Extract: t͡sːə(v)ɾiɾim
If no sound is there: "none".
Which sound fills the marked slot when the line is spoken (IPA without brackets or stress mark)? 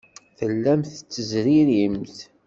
z